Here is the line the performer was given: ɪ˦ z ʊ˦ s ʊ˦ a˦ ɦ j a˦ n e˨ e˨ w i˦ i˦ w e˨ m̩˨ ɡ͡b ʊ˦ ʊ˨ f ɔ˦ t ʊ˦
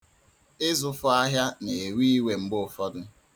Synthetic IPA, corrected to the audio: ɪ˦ z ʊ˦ f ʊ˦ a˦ ɦ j a˦ n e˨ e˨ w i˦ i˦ w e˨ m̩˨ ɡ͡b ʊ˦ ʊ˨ f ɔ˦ d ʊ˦